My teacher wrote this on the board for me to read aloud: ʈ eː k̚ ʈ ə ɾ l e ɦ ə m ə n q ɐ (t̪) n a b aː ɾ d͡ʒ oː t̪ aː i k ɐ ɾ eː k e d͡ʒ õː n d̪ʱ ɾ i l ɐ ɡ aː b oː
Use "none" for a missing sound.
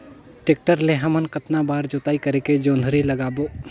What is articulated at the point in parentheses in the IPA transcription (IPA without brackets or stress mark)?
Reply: t̪